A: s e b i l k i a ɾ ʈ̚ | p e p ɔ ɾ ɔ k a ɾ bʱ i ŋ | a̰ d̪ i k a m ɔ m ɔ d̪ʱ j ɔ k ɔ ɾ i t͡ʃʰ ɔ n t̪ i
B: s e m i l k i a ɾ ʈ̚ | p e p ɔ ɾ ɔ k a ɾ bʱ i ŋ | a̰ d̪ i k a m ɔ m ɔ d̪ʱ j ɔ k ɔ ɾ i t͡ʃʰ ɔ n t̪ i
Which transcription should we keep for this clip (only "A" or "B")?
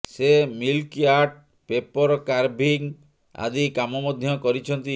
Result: B